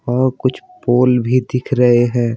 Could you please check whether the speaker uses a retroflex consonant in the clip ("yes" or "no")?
no